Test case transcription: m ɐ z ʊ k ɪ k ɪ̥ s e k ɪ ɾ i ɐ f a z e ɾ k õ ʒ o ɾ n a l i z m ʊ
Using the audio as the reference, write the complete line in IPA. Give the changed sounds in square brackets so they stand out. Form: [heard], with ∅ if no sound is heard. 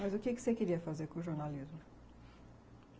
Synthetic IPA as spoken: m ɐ z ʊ k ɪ k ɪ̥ s e k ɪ ɾ i ɐ f a z e ɾ k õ ʒ o ɾ n a l i z m ʊ